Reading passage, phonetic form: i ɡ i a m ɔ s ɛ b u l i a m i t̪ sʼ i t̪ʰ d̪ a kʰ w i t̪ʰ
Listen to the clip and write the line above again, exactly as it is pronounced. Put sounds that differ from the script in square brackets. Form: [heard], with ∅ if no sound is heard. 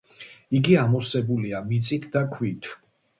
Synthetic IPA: i ɡ i a m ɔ s ɛ b u l i a m i t̪ sʼ i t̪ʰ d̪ a kʰ w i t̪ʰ